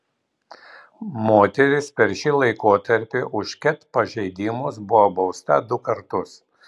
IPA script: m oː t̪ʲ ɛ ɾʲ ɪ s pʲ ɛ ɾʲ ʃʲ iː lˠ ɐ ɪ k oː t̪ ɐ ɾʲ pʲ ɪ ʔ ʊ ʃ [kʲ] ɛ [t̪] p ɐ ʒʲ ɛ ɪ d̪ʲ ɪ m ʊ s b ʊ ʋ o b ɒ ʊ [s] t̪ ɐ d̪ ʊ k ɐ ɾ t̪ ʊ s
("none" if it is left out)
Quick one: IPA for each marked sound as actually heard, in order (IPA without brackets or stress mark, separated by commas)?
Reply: kʲ, t̪, s